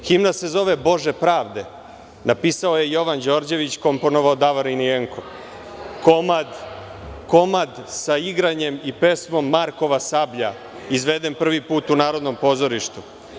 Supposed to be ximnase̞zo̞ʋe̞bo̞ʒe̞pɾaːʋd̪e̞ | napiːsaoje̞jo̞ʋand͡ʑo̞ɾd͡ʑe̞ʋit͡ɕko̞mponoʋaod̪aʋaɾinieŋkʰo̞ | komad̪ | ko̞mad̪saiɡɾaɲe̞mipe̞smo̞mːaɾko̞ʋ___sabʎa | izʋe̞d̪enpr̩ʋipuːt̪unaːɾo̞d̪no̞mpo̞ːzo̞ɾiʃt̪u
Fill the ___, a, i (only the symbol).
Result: a